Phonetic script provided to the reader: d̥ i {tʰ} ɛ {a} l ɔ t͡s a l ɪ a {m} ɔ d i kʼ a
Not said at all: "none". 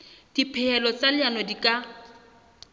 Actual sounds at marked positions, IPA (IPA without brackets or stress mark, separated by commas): pʰ, ɛ, n